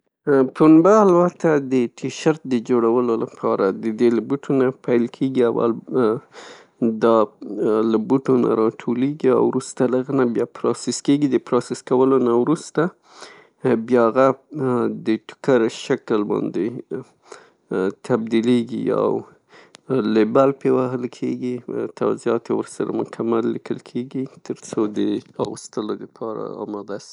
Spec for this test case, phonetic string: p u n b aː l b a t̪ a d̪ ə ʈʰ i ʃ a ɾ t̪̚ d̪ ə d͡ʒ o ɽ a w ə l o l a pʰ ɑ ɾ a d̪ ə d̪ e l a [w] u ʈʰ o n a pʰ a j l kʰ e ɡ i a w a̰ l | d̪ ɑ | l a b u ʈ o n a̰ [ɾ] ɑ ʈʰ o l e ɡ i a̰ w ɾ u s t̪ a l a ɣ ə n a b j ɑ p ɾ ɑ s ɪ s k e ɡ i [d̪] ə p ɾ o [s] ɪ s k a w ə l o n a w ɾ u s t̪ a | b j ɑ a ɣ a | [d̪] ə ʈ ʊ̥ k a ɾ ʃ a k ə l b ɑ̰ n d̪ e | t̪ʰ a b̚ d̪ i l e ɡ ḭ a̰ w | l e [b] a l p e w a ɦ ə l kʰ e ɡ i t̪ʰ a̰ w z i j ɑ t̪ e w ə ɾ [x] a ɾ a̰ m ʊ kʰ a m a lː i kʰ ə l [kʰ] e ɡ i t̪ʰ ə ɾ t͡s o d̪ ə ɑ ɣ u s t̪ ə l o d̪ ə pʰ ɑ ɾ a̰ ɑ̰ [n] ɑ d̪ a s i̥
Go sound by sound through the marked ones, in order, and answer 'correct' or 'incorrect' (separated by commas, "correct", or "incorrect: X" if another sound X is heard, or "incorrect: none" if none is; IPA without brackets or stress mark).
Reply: incorrect: b, correct, correct, correct, correct, correct, incorrect: s, correct, incorrect: m